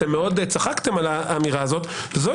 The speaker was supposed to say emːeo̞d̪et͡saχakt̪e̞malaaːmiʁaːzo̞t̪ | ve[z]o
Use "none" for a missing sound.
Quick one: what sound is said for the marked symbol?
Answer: z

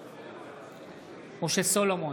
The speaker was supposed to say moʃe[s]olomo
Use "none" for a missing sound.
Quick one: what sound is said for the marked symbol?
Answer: s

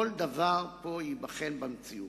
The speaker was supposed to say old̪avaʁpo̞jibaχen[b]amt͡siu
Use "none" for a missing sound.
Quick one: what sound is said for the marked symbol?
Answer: b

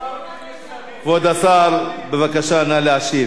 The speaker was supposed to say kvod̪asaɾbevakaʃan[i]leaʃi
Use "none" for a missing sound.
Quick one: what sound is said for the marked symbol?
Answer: a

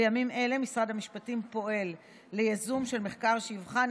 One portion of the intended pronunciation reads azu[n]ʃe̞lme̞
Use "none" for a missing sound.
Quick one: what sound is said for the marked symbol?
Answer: m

